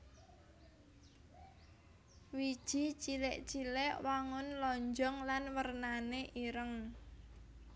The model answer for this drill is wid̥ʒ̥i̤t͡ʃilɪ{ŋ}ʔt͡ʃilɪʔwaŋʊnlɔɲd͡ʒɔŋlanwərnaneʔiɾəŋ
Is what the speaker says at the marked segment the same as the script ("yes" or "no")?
no